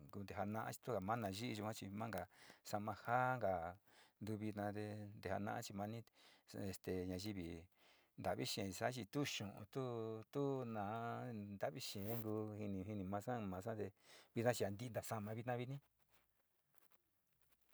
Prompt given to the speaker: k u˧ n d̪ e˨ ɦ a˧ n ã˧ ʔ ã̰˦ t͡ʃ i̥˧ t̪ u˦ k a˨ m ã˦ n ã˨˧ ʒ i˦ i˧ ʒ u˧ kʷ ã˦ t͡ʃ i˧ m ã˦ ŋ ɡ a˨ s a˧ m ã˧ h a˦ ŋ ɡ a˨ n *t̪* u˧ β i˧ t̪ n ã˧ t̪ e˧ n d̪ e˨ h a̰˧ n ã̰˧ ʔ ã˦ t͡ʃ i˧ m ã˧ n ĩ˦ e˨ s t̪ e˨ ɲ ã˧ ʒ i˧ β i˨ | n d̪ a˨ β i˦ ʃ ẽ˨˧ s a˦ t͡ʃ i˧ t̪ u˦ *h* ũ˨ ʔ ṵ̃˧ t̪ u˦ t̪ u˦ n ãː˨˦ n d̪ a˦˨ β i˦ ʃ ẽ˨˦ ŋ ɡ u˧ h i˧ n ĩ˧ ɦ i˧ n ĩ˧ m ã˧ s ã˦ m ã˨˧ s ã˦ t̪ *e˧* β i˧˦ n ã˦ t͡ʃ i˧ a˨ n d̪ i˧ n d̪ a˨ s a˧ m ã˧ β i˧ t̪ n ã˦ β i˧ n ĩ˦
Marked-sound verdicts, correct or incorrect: incorrect, incorrect, correct

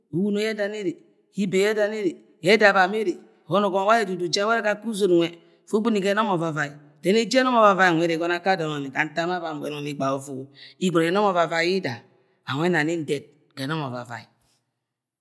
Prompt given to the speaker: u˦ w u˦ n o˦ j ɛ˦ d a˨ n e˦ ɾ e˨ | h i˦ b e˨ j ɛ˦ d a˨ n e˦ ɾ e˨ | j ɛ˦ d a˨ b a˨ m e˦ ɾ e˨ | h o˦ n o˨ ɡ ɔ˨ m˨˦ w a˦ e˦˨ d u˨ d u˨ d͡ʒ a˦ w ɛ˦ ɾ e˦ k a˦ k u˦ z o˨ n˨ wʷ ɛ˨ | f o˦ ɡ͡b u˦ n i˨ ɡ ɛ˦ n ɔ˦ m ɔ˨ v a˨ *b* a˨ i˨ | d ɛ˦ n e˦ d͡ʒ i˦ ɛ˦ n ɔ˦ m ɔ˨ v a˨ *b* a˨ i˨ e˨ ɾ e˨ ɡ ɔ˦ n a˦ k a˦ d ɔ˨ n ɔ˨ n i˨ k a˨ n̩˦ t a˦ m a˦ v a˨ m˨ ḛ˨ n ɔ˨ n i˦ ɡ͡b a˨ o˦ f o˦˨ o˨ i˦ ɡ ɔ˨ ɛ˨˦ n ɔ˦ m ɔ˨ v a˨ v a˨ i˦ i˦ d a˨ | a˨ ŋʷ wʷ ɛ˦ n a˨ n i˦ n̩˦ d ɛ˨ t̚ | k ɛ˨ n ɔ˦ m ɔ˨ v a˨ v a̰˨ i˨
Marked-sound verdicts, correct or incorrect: incorrect, incorrect

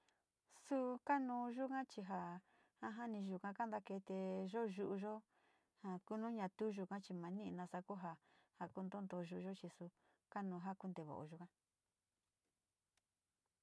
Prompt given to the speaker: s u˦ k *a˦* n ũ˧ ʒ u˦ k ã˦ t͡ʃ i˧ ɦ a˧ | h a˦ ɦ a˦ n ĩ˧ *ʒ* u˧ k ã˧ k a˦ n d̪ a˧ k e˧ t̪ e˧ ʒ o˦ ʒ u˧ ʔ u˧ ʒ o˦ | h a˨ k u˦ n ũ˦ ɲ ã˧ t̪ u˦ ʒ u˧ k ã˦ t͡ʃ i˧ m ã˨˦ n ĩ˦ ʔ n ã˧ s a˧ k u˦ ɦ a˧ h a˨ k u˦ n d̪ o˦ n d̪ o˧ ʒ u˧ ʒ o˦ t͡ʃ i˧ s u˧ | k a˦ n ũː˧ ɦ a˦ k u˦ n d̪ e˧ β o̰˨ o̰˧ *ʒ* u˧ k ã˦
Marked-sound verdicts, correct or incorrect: correct, correct, correct

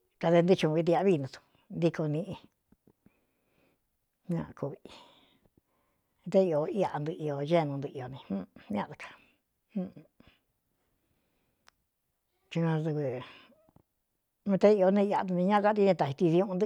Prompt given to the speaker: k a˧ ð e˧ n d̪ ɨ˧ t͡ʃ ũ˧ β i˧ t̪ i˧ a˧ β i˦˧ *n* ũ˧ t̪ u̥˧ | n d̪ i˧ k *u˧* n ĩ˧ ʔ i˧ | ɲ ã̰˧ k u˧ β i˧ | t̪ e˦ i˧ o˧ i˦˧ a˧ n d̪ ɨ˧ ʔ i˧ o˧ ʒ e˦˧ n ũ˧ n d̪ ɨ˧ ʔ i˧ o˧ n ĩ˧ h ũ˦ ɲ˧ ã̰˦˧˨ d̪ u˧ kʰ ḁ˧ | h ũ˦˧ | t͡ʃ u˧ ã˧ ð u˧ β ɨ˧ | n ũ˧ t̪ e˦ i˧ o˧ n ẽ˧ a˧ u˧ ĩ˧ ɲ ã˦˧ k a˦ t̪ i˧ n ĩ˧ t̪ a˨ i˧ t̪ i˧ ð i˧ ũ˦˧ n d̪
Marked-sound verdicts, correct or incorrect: correct, incorrect

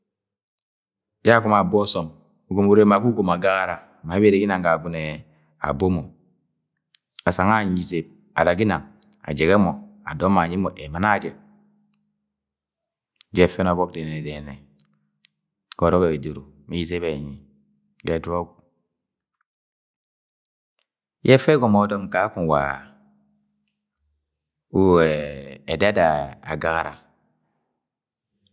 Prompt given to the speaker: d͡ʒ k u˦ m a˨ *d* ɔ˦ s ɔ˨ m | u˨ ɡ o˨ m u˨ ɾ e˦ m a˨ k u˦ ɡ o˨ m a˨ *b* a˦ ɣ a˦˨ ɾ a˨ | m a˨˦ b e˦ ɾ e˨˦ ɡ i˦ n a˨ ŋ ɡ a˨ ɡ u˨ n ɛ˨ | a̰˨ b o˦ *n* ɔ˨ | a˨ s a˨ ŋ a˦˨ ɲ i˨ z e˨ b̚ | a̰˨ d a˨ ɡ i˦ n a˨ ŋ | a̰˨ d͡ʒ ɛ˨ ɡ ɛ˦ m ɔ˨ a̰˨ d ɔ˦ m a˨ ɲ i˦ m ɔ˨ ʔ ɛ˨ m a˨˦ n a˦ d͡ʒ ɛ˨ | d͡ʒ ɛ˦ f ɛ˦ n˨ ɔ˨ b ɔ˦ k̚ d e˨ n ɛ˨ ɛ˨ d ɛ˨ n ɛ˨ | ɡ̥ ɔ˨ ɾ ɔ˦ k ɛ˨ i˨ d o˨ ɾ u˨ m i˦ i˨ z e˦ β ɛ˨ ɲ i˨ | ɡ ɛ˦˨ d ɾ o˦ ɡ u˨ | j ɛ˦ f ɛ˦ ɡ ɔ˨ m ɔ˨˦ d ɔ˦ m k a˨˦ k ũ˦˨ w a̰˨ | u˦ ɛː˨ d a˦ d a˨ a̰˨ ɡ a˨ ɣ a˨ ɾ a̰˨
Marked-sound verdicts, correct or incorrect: incorrect, incorrect, incorrect

